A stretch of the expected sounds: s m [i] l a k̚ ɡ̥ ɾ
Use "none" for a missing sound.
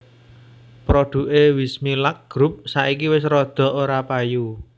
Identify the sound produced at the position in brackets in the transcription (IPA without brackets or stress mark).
i